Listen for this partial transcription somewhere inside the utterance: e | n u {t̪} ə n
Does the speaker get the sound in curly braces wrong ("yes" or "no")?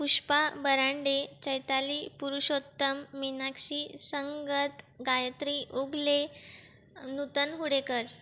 no